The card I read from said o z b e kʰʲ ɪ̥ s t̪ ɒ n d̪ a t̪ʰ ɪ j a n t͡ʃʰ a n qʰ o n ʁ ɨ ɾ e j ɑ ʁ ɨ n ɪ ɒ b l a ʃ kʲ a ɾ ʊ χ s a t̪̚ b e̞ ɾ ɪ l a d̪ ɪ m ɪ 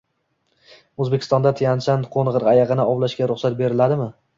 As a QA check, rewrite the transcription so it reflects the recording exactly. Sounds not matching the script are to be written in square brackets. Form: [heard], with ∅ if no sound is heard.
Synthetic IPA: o z b e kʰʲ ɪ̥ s t̪ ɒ n d̪ a t̪ʰ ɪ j a n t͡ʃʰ a n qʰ o n ʁ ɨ ɾ [a] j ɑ ʁ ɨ n ɪ ɒ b l a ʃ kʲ a ɾ ʊ χ s a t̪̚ b e̞ ɾ ɪ l a d̪ ɪ m ɪ